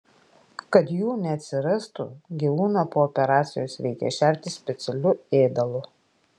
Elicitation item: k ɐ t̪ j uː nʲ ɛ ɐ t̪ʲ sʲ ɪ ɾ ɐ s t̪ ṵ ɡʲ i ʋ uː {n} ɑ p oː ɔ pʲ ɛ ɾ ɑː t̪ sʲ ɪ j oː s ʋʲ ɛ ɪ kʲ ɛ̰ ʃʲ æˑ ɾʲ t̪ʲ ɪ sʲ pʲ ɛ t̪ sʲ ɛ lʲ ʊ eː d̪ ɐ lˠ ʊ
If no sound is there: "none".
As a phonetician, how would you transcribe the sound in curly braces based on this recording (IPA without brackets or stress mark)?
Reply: n